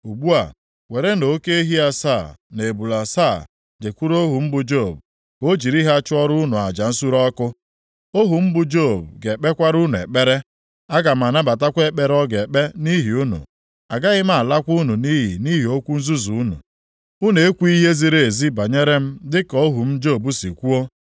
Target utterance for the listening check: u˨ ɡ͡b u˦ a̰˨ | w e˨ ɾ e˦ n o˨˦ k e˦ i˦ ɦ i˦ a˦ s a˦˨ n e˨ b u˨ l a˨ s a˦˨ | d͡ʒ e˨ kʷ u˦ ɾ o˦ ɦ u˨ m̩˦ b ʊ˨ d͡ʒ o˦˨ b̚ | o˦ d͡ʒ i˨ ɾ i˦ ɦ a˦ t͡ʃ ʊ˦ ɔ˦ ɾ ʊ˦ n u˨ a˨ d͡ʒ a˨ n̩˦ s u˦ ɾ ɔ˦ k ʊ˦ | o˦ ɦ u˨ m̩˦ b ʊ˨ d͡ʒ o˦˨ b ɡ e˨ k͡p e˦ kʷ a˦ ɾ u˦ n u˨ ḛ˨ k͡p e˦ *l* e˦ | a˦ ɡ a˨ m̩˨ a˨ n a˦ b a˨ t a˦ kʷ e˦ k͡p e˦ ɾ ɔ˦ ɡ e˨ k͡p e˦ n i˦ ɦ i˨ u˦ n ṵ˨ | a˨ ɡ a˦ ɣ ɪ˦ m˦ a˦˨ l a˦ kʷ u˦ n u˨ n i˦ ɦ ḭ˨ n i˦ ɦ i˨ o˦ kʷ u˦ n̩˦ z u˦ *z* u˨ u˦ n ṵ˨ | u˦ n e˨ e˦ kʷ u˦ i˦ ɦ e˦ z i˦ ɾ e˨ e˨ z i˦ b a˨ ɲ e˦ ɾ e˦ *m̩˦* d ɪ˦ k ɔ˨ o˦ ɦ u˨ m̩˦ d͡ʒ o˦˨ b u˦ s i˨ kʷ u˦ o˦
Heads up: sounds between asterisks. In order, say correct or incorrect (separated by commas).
incorrect, correct, correct